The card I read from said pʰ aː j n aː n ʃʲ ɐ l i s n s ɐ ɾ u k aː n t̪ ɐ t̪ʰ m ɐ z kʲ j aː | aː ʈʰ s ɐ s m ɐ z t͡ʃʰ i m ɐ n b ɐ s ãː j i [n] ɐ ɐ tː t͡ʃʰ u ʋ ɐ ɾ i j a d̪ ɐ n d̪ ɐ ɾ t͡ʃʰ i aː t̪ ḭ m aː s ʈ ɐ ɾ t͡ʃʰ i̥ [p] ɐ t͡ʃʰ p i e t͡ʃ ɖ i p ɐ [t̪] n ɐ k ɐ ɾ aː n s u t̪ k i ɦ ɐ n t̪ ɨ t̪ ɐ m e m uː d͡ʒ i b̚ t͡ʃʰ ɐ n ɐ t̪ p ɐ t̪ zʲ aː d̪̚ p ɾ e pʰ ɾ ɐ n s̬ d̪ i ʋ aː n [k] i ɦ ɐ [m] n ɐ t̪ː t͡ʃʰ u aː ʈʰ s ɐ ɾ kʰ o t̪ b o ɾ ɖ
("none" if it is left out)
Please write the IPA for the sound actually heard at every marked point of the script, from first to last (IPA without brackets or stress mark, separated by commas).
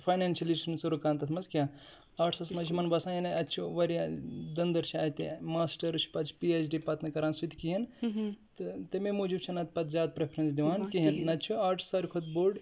n, p, t̪, k, n